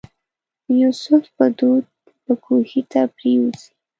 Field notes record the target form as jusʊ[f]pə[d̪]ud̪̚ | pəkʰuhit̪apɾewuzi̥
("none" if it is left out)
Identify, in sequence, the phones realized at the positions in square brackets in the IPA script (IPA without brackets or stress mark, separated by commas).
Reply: f, d̪